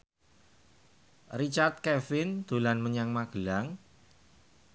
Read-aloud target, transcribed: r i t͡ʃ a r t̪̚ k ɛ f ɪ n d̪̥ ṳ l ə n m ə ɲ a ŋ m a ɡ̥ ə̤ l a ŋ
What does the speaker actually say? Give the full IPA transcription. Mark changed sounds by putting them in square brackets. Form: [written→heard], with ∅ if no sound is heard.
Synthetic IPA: r i t͡ʃ a r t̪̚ k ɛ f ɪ n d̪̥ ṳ l [ə→a] n m ə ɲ a ŋ m a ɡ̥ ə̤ l a ŋ